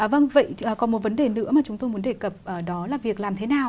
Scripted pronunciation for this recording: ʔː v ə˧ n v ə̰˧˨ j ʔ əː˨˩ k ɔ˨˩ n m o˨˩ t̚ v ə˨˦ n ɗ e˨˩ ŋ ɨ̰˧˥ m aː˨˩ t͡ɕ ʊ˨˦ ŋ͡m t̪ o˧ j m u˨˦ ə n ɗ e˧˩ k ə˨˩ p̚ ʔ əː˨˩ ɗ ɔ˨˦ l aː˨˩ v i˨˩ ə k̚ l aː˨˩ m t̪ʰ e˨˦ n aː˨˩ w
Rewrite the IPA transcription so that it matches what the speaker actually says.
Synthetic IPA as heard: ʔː v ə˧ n v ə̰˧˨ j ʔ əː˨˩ k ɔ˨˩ n m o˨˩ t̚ v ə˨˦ n ɗ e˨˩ n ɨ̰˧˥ m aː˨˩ t͡ɕ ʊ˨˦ ŋ͡m t̪ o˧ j m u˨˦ ə n ɗ e˧˩ k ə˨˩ p̚ ʔ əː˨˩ ɗ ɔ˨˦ l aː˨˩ v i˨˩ ə k̚ l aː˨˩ m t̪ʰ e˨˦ n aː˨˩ w